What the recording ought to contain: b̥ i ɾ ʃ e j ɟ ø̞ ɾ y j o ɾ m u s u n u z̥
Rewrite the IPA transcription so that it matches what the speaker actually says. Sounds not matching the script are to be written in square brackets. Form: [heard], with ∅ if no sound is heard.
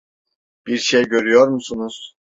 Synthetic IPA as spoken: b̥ i ɾ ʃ e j ɟ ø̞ ɾ y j o ɾ m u s u n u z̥